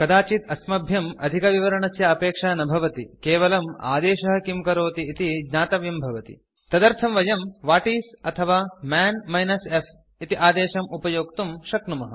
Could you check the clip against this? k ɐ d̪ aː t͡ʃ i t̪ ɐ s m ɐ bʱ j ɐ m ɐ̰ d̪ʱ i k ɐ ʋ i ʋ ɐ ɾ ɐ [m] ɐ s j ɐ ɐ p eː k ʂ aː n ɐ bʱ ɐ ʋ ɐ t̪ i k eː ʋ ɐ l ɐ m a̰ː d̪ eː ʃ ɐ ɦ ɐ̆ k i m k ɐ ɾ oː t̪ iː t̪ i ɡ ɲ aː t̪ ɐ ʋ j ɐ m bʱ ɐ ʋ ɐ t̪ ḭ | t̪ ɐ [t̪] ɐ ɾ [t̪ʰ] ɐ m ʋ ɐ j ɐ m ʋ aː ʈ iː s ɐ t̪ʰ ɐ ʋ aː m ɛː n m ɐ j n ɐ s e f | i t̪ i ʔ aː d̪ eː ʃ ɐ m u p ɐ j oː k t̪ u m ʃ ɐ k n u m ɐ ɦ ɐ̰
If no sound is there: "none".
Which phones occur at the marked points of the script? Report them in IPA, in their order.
ɳ, d̪, t̪ʰ

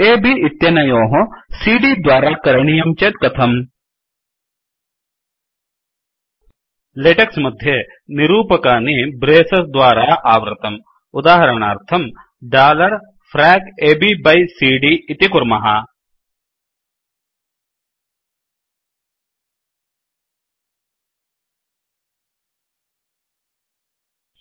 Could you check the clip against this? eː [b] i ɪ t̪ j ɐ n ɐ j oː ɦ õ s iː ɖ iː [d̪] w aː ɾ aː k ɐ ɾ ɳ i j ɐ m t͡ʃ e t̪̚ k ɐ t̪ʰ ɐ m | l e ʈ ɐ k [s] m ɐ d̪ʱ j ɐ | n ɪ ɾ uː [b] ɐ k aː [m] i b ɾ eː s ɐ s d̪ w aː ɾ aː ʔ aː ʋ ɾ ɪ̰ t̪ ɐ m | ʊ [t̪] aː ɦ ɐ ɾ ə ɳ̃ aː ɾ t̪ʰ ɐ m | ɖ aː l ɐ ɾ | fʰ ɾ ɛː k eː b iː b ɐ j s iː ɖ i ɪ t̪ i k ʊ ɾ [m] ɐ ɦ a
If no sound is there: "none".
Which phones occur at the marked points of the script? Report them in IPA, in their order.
b, d̪, s, p, n, d̪, m

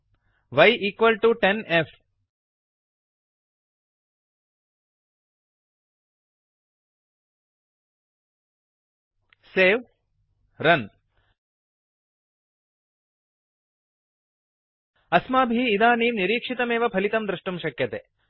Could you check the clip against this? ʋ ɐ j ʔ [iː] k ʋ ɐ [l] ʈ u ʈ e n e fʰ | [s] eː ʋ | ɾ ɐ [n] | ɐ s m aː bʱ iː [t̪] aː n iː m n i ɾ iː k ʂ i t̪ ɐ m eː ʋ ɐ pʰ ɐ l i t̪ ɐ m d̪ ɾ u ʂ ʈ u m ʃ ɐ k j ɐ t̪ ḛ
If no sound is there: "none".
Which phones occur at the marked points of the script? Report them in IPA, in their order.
iː, l, s, n, d̪

